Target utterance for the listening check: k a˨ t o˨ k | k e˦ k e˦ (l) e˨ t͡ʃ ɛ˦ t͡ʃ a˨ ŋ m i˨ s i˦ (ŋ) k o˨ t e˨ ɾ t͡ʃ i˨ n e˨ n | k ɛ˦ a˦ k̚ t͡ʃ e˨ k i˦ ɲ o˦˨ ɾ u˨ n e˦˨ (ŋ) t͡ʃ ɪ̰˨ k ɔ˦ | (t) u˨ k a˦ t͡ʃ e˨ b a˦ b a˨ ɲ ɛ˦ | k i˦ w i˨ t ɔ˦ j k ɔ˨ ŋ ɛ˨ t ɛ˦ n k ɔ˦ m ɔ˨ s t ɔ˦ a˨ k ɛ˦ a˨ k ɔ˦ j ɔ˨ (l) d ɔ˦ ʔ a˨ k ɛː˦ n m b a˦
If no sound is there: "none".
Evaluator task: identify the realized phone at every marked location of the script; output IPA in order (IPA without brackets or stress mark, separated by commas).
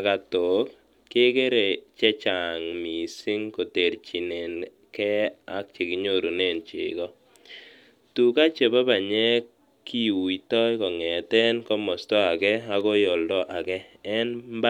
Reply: ɾ, ŋ, n, t, l